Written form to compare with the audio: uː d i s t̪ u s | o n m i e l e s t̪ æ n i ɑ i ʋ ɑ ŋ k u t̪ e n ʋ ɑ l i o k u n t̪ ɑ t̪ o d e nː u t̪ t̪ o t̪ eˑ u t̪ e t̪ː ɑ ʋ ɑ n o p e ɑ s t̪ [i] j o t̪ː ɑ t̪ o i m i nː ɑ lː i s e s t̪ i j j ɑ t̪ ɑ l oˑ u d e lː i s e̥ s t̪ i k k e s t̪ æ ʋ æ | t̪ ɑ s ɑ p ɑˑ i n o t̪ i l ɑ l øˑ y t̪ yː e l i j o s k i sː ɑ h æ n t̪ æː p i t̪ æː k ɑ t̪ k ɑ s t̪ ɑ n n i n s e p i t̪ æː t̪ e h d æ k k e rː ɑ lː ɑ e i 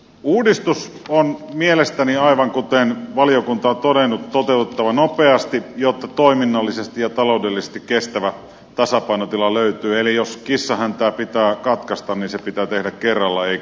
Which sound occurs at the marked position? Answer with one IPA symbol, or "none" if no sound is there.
i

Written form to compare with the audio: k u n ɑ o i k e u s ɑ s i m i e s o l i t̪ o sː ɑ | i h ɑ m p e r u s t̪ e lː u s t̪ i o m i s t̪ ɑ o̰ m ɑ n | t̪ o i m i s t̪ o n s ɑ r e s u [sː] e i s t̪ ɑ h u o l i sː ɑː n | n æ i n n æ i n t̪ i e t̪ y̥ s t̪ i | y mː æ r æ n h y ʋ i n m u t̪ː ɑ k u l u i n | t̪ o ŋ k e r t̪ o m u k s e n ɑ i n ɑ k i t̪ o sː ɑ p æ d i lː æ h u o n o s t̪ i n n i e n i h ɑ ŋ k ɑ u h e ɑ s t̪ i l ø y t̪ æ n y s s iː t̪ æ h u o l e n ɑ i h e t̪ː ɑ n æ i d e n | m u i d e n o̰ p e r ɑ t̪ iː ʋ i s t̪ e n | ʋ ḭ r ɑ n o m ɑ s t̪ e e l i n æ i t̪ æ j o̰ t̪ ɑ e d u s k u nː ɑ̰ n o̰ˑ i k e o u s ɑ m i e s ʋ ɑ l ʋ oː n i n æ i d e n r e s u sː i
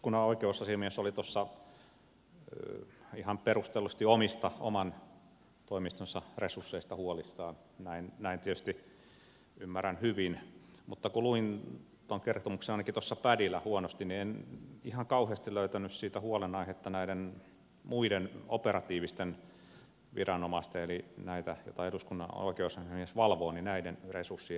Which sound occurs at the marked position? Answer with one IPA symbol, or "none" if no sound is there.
sː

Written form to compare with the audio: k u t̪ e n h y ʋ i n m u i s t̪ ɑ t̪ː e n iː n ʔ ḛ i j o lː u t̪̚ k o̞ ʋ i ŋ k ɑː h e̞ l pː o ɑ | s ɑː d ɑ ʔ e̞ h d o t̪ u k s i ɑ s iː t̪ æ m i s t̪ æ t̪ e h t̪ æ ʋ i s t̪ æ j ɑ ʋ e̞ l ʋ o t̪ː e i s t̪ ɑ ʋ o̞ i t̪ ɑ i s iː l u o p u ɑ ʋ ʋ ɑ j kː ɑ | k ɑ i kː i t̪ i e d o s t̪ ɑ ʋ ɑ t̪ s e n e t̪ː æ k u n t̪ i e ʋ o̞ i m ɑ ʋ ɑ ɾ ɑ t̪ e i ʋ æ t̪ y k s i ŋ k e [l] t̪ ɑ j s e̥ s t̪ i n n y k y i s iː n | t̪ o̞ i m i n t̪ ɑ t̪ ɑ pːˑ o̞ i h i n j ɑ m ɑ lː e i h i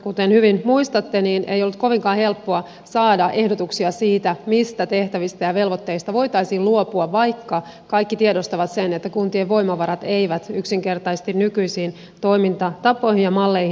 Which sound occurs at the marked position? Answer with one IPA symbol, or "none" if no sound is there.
r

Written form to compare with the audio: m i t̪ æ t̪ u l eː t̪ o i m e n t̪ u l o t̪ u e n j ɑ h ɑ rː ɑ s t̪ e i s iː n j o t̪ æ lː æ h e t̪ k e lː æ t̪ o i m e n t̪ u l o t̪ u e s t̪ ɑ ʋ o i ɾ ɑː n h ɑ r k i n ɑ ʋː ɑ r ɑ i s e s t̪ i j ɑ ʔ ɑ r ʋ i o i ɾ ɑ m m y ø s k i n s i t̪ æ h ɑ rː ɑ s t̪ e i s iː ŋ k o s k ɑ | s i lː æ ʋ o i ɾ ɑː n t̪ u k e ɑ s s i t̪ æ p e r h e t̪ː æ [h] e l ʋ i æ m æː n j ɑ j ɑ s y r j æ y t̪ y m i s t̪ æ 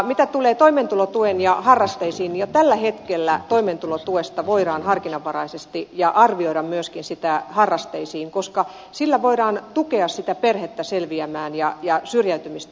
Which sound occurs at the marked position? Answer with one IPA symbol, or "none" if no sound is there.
s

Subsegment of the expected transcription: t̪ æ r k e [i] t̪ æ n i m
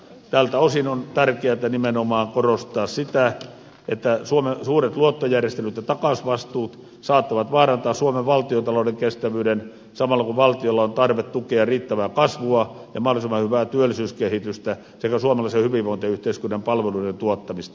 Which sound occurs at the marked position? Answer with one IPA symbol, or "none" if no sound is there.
æ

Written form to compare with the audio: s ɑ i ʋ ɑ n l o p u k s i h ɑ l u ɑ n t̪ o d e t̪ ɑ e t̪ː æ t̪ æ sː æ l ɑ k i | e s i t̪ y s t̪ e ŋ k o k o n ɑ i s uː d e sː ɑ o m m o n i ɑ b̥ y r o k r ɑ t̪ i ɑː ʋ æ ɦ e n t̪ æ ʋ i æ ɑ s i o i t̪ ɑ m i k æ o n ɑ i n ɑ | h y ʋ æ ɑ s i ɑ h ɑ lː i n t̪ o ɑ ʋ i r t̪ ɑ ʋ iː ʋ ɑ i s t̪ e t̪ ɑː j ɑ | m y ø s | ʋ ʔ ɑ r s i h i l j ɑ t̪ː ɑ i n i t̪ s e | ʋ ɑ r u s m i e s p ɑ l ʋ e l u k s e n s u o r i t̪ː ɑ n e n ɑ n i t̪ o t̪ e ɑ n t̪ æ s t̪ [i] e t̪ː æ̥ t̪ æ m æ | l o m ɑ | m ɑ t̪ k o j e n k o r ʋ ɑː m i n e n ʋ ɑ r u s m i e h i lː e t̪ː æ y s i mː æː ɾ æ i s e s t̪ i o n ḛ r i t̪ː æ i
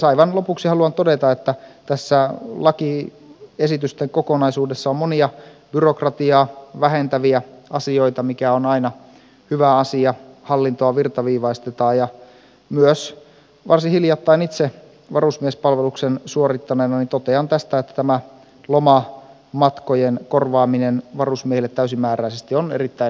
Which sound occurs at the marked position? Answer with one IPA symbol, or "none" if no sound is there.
æ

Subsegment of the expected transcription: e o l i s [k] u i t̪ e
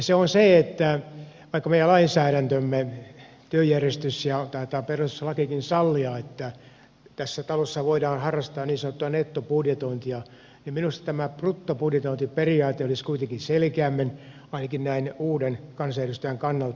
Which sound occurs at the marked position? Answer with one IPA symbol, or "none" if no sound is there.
k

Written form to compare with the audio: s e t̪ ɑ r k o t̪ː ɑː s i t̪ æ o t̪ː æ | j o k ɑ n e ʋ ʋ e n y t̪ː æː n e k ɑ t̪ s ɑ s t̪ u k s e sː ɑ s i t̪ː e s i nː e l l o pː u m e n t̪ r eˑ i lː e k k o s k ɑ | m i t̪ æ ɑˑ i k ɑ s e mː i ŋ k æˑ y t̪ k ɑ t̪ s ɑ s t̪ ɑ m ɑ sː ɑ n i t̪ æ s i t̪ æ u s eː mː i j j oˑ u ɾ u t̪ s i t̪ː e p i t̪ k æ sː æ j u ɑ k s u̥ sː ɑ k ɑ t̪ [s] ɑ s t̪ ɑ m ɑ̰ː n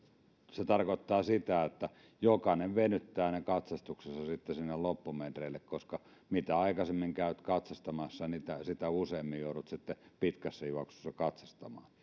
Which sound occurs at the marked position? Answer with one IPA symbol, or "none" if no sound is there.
s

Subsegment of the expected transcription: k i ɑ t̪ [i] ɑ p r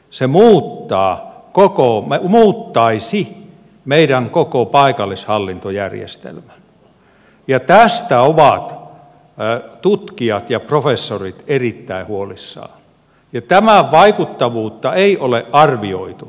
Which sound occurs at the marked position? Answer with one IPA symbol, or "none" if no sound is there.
j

